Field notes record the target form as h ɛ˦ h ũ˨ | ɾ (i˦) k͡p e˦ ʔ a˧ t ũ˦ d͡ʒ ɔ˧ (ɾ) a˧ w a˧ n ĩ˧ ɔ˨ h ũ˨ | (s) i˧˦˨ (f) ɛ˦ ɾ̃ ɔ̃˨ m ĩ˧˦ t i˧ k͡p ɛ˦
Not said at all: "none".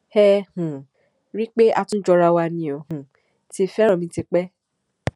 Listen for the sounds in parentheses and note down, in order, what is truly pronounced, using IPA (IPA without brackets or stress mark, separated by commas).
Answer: i˦, ɾ, t, f